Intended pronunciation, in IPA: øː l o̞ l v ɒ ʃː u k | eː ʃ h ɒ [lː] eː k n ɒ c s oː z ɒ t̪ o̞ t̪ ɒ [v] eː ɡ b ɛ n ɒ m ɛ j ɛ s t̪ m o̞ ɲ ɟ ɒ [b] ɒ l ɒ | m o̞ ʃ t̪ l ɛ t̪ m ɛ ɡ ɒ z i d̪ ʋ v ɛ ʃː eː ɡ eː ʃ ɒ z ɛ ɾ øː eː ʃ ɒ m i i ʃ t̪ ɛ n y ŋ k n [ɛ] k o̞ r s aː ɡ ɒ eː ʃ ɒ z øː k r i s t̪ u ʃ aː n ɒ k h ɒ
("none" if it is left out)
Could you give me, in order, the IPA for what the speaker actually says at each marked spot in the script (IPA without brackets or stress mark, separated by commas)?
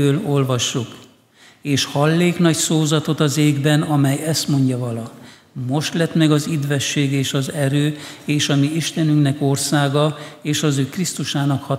lː, z, v, ɛ